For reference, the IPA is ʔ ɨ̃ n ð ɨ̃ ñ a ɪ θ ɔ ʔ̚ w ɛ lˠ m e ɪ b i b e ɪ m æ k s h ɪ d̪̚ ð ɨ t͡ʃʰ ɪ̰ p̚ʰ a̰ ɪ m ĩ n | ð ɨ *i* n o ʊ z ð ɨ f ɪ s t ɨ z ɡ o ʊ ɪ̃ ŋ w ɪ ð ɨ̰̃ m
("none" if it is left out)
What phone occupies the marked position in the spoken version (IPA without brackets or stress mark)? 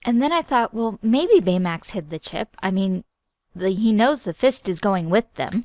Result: i